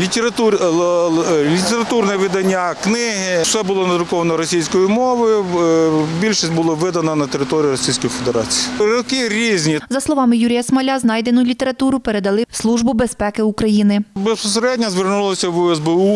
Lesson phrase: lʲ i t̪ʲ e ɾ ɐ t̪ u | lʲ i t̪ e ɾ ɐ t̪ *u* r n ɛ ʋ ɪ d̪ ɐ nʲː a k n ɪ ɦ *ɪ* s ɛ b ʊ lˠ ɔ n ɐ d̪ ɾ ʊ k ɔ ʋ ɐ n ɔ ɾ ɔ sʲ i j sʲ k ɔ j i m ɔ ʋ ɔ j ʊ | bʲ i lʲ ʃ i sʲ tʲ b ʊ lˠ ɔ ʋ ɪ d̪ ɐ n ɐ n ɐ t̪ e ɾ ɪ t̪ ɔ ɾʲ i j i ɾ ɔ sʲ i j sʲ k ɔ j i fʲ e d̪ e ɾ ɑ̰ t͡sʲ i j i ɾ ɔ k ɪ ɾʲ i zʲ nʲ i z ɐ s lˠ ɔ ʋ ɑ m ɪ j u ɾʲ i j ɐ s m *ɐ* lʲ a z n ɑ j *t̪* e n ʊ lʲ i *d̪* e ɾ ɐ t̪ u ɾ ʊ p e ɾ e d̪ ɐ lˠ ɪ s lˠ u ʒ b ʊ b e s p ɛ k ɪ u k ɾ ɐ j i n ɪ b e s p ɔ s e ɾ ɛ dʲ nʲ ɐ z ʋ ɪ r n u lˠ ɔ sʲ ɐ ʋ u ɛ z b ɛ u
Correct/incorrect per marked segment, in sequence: correct, correct, correct, incorrect: d̪, incorrect: t̪

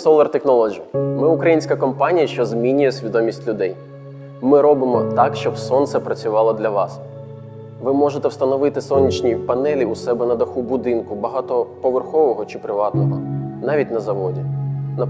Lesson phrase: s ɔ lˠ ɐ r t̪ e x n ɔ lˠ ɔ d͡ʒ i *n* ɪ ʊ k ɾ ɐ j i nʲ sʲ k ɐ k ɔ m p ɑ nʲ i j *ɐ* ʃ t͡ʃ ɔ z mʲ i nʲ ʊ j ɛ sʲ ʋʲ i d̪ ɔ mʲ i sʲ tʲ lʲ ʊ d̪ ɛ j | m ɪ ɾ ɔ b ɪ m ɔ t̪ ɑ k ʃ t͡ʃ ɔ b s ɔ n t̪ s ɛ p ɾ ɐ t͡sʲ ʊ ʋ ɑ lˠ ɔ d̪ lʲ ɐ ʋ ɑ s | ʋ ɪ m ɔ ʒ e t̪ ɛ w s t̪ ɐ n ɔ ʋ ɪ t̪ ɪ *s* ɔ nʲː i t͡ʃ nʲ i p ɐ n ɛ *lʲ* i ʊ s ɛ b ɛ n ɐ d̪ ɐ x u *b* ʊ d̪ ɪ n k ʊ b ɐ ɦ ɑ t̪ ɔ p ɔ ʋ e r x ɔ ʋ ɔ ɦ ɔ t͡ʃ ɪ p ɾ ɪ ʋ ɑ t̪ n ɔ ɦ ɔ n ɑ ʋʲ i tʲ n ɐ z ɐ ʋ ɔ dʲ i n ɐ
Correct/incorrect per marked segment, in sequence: incorrect: m, correct, correct, correct, correct

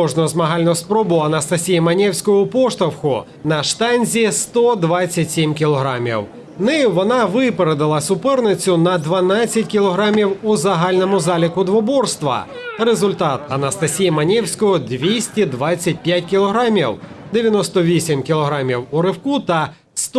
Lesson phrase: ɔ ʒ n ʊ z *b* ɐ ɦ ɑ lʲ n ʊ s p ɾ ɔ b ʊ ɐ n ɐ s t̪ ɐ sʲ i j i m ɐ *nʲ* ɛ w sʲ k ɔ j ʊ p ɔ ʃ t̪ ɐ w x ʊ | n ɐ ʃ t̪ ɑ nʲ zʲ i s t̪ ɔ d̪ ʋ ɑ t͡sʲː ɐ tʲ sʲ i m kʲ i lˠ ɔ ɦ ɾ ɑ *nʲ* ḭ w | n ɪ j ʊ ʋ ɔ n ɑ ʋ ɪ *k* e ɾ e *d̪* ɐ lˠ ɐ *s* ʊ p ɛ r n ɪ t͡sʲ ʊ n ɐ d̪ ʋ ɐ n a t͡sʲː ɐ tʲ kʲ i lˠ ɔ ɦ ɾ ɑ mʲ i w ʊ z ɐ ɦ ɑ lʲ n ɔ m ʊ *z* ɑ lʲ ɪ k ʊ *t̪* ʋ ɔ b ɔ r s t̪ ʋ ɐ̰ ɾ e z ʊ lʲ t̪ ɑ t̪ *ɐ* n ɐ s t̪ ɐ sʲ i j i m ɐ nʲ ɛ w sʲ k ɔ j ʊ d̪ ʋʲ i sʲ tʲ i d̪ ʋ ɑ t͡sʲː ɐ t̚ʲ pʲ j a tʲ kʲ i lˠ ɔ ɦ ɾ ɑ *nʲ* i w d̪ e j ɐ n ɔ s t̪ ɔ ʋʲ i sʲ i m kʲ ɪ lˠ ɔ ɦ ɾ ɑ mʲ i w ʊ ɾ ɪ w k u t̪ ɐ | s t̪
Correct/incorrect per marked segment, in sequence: incorrect: m, correct, incorrect: mʲ, incorrect: p, correct, correct, correct, incorrect: d̪, correct, incorrect: mʲ

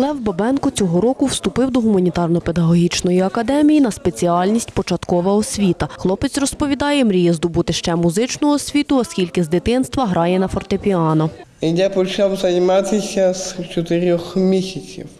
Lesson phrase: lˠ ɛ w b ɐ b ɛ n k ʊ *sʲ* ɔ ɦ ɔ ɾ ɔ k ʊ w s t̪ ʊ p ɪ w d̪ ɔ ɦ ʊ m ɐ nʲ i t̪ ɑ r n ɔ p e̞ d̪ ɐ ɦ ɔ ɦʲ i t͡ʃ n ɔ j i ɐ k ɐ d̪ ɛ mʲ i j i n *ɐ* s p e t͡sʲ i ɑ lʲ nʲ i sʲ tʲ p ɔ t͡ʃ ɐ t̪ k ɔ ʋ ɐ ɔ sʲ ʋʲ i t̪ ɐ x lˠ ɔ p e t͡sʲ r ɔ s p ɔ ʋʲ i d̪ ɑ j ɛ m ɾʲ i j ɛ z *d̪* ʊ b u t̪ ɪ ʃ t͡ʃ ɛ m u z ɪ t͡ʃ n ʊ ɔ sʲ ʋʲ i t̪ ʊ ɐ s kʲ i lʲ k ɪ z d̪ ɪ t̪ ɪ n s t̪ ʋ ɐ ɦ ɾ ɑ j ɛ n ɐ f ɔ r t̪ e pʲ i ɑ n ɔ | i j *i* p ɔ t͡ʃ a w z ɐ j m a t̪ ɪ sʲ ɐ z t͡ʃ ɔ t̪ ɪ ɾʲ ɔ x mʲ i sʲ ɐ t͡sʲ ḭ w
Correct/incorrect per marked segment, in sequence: incorrect: t͡sʲ, correct, correct, incorrect: a

